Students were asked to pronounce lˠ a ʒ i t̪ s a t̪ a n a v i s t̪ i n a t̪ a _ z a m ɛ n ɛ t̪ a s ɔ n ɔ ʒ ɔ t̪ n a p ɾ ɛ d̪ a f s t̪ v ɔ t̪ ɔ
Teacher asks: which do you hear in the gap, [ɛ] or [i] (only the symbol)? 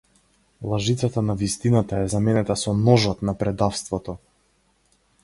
ɛ